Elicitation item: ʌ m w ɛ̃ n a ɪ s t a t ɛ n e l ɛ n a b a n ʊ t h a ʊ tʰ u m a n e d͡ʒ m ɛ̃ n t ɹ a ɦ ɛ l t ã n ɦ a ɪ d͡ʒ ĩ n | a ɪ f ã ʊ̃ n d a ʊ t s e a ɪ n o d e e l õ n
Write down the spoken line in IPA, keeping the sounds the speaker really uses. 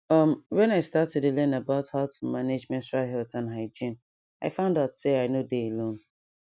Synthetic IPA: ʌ m w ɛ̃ n a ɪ s t a t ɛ d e l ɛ n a b a ʊ t h a ʊ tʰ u m a n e d͡ʒ m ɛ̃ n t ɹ a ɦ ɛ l t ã n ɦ a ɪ d͡ʒ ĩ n | a ɪ f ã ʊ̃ n d a ʊ t s e a ɪ n o d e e l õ n